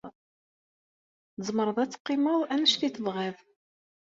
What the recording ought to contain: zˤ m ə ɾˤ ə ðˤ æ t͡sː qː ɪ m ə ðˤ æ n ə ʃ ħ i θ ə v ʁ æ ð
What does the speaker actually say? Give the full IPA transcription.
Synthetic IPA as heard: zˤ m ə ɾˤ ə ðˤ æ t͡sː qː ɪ m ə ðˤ æ n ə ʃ θ i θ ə v ʁ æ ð